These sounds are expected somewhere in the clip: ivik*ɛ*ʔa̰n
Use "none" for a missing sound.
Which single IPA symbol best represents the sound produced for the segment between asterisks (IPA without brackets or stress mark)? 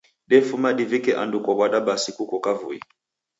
ɛ